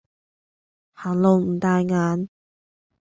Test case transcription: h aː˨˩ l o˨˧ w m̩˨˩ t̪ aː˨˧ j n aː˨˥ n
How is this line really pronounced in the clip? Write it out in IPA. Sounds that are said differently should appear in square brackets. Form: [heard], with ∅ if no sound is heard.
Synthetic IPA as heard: h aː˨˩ l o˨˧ w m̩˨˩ t̪ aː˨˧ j [ŋ] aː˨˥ n